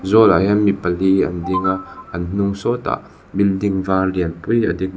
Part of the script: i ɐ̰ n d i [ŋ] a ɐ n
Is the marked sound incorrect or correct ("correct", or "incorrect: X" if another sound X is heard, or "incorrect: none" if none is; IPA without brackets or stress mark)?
correct